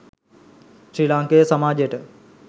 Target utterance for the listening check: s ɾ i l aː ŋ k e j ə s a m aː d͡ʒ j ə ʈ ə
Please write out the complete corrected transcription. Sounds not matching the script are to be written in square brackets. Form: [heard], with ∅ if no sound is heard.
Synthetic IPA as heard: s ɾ i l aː ŋ k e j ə s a m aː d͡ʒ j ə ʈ ə